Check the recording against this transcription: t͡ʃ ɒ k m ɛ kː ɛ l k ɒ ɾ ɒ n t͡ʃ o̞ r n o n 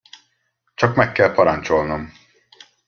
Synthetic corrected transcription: t͡ʃ ɒ k m ɛ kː ɛ l p ɒ ɾ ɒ n t͡ʃ o̞ l n o m